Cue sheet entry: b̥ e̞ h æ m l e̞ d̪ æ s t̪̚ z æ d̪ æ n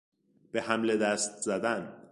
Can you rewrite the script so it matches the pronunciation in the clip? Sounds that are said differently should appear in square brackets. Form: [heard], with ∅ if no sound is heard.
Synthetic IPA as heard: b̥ e̞ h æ m l e̞ d̪ æ s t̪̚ z æ d̪ æ n